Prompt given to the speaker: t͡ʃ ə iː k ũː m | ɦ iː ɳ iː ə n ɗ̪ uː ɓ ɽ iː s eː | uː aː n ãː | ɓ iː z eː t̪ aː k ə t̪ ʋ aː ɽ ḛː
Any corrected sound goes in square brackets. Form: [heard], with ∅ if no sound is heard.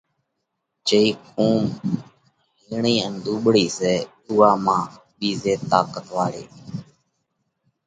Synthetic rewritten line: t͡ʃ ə iː k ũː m | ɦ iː ɳ iː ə n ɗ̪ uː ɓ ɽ iː s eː | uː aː [m] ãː | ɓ iː z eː t̪ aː k ə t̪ ʋ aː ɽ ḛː